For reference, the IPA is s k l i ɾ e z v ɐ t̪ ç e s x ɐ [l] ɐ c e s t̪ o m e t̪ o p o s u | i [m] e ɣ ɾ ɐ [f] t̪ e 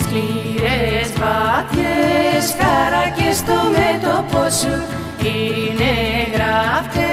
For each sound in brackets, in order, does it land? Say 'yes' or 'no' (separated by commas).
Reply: no, no, yes